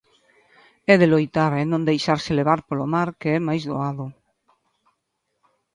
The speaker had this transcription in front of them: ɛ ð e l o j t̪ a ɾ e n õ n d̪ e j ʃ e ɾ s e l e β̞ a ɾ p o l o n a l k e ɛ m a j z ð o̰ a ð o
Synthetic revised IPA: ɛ ð e l o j t̪ a ɾ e n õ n d̪ e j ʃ a ɾ s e l e β̞ a ɾ p o l o m a ɾ k e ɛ m a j z ð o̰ a ð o

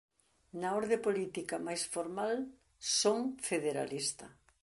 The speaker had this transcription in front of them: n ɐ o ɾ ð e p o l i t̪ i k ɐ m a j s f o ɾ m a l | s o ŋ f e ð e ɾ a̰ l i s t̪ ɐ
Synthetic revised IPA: n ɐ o ɾ ð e p o l i t̪ i k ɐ m a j s f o ɾ m a l | s o ŋ f e ð e ɾ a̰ l i s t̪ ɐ

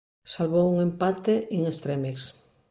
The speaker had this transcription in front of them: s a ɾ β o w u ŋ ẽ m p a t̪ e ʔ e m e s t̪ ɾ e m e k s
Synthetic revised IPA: s a l β o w u ŋ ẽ m p a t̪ e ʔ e ŋ e s t̪ ɾ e m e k s

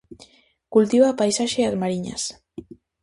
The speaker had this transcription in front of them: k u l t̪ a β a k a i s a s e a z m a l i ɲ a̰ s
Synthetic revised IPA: k u l t̪ i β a p a j s a ʃ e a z m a ɾ i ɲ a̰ s

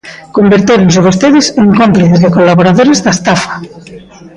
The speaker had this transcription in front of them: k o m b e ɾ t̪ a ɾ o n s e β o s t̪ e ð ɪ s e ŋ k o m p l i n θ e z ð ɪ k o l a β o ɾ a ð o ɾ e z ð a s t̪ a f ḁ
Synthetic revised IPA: k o m b e ɾ t̪ e ɾ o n s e β o s t̪ e ð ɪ s e ŋ k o m p l i θ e z ð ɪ k o l a β o ɾ a ð o ɾ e z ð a s t̪ a f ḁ

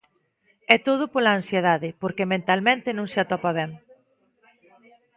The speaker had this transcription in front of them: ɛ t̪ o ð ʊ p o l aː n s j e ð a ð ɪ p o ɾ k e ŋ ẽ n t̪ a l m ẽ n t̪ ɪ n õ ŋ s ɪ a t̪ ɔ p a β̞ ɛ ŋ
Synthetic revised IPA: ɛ t̪ o ð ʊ p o l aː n s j e ð a ð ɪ p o ɾ k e m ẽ n t̪ a l m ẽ n t̪ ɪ n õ ŋ s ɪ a t̪ ɔ p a β̞ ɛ ŋ

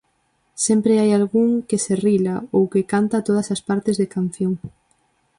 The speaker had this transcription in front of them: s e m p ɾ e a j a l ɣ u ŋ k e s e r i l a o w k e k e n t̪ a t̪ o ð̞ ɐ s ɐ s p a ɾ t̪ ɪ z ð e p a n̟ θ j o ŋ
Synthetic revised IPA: s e m p ɾ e a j a l ɣ u ŋ k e s e r i l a o w k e k a n t̪ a t̪ o ð̞ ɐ s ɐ s p a ɾ t̪ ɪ z ð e k a n̟ θ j o ŋ

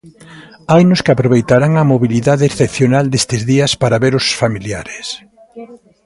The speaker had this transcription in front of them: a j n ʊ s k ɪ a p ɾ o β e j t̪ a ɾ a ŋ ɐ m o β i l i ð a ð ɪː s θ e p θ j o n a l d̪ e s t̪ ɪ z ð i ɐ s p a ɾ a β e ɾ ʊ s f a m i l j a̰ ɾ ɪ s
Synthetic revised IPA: a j n ʊ s k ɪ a p ɾ o β e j t̪ a ɾ a ŋ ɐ m o β i l i ð a ð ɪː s θ e p θ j o n a l d̪ e s t̪ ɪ z ð i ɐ s p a ɾ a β e ɾ ʊ s f a m i l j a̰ ɾ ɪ s

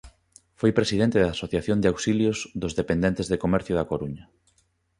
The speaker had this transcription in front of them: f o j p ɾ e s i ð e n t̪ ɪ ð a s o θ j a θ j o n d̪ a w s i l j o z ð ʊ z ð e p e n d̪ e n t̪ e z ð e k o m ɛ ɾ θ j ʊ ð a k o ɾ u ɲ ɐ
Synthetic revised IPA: f o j p ɾ e s i ð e n t̪ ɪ ð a s o θ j a θ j o n d̪ a w s i l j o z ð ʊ z ð e p e n d̪ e n t̪ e z ð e k o m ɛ ɾ θ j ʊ ð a k o ɾ u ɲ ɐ

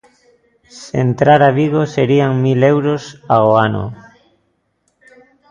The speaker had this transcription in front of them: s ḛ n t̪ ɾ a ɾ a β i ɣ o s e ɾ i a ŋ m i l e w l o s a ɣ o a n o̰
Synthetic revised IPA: s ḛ n t̪ ɾ a ɾ a β i ɣ o s e ɾ i a ŋ m i l e w ɾ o s a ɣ o a n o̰

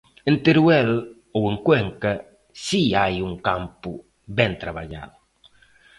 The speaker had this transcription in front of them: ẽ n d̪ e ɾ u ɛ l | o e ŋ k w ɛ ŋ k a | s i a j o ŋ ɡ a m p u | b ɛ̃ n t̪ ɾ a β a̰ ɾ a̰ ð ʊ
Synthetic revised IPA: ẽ n t̪ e ɾ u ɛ l | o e ŋ k w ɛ ŋ k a | s i a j u ŋ k a m p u | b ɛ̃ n t̪ ɾ a β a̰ ʎ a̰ ð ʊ

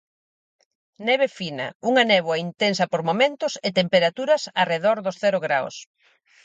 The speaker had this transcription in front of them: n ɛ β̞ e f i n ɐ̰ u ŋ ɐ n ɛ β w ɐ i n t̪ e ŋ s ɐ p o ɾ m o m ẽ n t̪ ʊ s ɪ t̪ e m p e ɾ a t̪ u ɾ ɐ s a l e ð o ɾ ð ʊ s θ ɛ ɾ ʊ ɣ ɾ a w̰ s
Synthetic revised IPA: n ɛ β̞ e f i n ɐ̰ u ŋ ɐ n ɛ β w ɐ i n t̪ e n s ɐ p o ɾ m o m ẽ n t̪ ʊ s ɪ t̪ e m p e ɾ a t̪ u ɾ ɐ s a r e ð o ɾ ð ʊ s θ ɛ ɾ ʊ ɣ ɾ a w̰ s

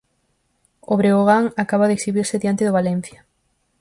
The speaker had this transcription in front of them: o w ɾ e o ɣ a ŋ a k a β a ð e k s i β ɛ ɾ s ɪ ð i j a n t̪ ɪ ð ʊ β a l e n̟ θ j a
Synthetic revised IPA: o β ɾ e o ɣ a ŋ a k a β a ð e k s i β i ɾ s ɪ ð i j a n t̪ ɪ ð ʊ β a l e n̟ θ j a

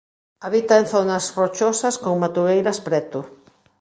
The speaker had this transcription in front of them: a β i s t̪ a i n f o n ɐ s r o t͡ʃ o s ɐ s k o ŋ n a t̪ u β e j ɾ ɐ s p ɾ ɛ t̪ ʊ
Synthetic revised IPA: a β i t̪ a e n θ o n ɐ s r o t͡ʃ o s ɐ s k o ŋ m a t̪ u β e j ɾ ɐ s p ɾ ɛ t̪ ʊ

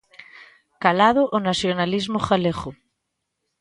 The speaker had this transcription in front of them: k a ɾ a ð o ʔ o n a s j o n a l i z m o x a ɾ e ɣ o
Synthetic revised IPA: k a l a ð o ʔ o n a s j o n a l i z m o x a l e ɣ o

